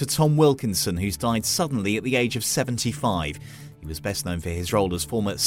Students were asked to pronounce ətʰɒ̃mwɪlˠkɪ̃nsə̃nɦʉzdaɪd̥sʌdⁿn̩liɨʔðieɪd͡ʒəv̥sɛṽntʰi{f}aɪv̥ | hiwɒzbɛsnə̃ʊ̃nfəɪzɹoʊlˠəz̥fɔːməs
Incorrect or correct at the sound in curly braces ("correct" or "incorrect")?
correct